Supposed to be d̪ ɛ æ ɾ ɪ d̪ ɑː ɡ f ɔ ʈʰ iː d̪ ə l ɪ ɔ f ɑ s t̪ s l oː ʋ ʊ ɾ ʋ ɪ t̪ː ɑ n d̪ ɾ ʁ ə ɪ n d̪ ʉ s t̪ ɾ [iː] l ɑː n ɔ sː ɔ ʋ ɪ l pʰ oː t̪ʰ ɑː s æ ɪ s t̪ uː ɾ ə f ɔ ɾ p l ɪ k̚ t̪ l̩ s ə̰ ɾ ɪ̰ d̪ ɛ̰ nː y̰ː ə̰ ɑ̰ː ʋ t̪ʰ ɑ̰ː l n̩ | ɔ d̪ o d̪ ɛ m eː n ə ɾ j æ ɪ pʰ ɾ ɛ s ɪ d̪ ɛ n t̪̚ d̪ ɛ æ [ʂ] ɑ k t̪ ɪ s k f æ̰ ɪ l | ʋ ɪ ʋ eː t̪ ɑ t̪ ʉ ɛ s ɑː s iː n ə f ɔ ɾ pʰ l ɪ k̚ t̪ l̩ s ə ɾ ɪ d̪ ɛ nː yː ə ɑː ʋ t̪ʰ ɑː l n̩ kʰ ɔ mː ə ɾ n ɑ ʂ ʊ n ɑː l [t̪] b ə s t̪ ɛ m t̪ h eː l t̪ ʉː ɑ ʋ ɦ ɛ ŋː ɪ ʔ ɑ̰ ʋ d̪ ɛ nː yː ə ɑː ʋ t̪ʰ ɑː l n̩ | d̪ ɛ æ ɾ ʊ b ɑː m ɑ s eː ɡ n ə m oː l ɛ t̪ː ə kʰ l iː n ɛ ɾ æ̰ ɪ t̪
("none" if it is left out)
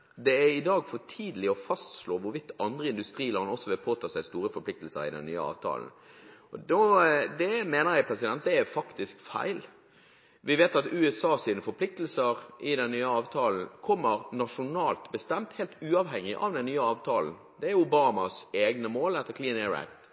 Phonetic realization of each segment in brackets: iː, f, t̪

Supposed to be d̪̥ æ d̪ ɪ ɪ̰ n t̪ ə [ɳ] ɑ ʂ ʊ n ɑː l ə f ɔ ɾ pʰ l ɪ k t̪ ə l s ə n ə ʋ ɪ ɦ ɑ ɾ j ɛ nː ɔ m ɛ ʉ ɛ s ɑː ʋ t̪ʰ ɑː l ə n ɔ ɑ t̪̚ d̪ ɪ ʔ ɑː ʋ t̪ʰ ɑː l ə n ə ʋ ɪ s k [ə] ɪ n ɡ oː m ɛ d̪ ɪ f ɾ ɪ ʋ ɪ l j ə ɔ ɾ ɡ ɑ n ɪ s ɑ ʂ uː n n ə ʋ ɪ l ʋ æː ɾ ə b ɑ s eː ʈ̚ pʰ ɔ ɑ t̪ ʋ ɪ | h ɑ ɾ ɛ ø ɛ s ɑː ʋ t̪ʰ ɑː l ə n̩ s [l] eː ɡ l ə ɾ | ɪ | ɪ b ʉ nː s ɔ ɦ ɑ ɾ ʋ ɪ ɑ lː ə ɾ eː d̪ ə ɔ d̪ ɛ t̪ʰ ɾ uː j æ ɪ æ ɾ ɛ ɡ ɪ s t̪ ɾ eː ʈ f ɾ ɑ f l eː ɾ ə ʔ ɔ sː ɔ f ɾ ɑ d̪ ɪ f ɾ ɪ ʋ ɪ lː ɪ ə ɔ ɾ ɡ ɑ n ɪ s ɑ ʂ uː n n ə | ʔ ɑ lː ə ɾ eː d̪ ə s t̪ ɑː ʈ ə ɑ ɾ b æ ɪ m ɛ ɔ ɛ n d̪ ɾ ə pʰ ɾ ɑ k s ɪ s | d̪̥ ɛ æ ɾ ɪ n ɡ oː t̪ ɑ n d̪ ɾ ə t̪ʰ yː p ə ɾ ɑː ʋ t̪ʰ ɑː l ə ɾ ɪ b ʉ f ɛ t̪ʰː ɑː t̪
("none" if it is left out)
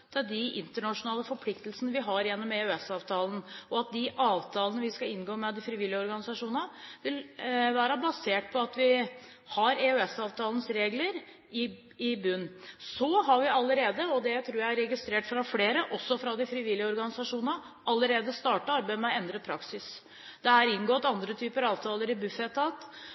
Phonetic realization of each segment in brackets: ɳ, ɑ, ɾ

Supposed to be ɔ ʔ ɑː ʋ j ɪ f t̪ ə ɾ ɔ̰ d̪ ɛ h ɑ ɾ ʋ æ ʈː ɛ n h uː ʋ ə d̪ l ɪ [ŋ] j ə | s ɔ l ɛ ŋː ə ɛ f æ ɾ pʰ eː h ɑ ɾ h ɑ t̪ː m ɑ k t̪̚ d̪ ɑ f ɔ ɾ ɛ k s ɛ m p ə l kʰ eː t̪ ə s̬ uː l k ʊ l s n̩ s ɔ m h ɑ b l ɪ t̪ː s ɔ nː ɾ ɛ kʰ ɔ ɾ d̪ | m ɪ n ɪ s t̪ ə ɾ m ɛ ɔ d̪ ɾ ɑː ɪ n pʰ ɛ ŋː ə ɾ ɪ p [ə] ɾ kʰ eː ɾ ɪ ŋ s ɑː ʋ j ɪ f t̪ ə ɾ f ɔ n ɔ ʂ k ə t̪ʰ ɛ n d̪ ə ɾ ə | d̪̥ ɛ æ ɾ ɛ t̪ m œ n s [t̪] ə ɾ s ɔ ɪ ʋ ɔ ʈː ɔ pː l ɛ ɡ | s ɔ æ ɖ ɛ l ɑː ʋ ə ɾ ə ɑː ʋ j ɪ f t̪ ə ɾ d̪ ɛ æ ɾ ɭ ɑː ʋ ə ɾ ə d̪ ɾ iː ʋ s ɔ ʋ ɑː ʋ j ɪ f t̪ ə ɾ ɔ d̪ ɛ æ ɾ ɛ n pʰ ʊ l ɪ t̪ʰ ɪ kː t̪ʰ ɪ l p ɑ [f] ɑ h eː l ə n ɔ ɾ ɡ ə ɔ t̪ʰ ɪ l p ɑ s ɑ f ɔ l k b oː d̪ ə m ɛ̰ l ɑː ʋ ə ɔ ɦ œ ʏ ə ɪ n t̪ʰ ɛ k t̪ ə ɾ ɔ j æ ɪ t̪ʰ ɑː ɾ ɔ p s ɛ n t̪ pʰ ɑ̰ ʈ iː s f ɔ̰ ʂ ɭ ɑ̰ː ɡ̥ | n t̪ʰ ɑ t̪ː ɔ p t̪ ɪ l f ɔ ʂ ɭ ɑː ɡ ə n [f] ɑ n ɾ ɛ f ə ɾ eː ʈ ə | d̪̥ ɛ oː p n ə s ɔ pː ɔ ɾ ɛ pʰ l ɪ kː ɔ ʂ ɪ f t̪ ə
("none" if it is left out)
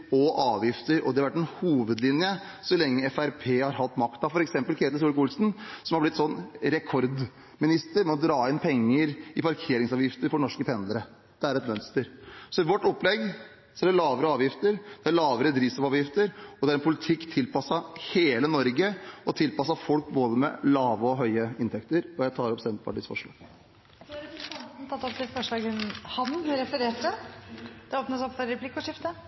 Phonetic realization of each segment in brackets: n, ɑ, t̪, s, h

